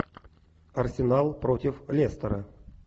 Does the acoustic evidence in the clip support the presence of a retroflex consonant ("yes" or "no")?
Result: no